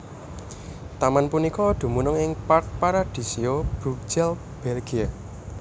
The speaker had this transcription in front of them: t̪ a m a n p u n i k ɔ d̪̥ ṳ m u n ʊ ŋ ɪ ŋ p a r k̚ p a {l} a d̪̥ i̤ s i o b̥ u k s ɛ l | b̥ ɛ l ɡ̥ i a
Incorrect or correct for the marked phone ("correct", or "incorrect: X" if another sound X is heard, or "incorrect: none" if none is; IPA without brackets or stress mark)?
incorrect: ɾ